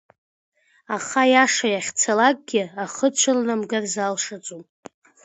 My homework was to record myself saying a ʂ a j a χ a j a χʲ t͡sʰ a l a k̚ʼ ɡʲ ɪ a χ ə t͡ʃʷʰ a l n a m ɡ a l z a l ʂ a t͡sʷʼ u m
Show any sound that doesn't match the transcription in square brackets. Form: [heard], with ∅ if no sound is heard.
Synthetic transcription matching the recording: a [χ] a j a [ʂ] a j a χʲ t͡sʰ a l a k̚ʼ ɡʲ ɪ a χ ə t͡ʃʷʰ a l n a m ɡ a [r] z a l ʂ a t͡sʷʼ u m